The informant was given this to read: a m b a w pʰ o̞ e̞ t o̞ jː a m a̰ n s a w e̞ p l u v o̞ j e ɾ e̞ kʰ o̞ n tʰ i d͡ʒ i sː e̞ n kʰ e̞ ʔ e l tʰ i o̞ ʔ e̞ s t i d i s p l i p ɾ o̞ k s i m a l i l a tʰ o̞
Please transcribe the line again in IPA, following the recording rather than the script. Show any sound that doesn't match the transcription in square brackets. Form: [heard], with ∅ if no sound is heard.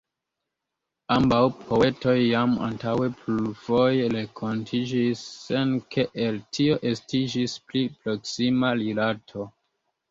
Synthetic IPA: a m b a w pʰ o̞ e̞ t o̞ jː a m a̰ n [t] a w e̞ p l u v o̞ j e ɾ e̞ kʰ o̞ n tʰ i d͡ʒ i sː e̞ n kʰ e̞ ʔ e l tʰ i o̞ ʔ e̞ s t i [d͡ʒ] i s p l i p ɾ o̞ k s i m a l i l a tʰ o̞